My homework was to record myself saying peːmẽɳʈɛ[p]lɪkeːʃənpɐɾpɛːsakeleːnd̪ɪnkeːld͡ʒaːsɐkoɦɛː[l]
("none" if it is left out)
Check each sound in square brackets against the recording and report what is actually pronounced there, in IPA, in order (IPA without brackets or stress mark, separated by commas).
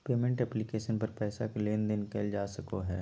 p, none